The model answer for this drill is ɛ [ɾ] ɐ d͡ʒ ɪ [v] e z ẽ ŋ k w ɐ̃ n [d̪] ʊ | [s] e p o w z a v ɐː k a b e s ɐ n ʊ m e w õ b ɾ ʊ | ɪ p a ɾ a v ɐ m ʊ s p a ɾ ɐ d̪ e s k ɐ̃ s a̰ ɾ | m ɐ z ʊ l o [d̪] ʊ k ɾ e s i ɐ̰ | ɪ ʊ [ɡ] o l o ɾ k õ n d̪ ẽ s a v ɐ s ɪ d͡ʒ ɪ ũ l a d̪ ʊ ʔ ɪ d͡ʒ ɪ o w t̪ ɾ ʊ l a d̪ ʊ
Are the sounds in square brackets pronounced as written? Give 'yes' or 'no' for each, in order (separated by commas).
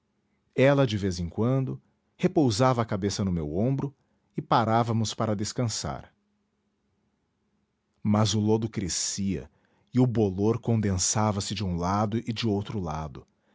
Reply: no, yes, yes, no, yes, no